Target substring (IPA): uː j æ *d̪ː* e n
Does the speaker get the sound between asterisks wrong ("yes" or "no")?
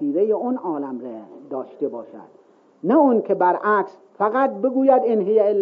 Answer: yes